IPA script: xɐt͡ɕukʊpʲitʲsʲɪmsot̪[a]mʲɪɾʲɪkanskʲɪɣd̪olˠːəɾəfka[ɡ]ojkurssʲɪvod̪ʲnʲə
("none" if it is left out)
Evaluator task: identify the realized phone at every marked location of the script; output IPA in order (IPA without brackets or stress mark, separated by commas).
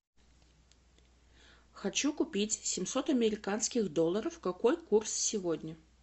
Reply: ɐ, k